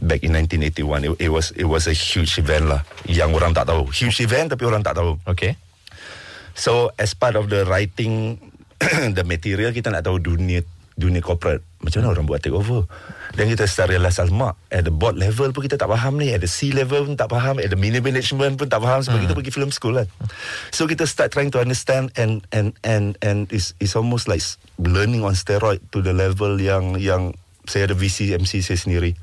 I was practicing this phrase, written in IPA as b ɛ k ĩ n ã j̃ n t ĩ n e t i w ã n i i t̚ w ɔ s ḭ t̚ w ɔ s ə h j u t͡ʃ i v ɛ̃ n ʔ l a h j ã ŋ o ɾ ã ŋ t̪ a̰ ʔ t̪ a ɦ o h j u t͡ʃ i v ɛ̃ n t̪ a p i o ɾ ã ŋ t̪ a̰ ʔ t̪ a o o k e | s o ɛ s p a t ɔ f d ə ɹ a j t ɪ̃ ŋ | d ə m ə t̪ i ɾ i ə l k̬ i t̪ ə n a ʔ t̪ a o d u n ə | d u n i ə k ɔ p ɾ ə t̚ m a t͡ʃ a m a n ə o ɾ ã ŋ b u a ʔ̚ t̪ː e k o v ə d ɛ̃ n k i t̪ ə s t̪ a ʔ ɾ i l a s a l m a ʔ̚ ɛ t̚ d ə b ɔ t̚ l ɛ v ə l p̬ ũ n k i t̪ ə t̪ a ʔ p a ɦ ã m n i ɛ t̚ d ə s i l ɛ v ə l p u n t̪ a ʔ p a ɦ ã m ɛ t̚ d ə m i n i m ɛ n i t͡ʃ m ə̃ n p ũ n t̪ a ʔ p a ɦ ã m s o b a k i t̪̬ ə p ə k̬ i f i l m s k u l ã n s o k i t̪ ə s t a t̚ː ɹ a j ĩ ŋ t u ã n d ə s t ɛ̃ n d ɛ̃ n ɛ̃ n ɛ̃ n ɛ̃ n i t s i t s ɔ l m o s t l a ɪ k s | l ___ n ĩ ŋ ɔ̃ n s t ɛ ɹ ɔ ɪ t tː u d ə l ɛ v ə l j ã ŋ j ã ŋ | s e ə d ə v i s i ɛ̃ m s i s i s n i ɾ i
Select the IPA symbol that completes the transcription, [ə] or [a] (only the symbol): ə